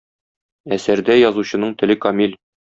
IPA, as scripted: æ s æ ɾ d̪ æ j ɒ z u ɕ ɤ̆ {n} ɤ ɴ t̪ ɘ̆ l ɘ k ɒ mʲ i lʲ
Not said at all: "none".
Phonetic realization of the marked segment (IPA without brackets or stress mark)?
n